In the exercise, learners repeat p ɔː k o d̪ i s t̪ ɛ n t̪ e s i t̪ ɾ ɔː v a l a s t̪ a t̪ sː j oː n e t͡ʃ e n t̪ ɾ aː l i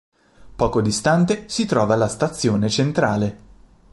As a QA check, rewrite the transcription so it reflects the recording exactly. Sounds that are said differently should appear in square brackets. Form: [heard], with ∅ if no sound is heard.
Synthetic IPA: p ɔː k o d̪ i s t̪ [a] n t̪ e s i t̪ ɾ ɔː v a l a s t̪ a t̪ sː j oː n e t͡ʃ e n t̪ ɾ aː l [e]